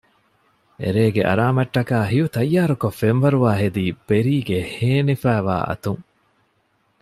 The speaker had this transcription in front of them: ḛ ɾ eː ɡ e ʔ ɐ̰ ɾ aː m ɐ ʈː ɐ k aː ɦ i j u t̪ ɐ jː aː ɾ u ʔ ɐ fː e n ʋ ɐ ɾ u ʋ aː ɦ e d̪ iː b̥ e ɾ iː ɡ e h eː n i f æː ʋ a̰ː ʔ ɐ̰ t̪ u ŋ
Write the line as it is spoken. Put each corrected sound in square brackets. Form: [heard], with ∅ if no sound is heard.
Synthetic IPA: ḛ ɾ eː ɡ e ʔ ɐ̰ ɾ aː m ɐ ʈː ɐ k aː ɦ i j u t̪ ɐ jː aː ɾ u [k] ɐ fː e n ʋ ɐ ɾ u ʋ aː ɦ e d̪ iː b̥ e ɾ iː ɡ e h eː n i f æː ʋ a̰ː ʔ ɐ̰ t̪ u ŋ